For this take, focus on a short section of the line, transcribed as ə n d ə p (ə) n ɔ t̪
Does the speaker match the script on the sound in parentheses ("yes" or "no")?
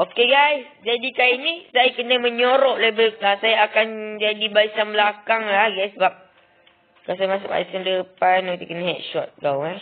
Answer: no